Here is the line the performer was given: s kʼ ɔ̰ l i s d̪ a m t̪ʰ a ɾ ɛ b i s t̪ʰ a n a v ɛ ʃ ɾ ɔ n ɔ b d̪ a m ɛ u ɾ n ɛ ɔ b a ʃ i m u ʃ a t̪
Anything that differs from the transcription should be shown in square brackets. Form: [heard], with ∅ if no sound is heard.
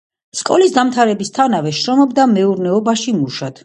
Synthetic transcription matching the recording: s kʼ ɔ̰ l i s d̪ a m t̪ʰ a ɾ ɛ b i s t̪ʰ a n a v ɛ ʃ ɾ ɔ [m] ɔ b d̪ a m ɛ u ɾ n ɛ ɔ b a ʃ i m u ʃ a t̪